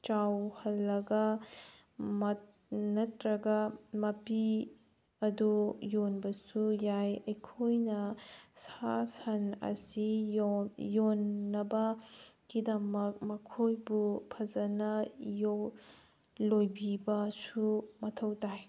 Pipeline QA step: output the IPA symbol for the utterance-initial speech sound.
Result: t͡ʃ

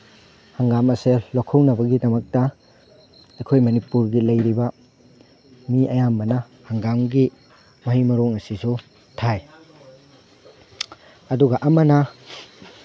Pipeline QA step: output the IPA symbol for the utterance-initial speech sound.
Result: h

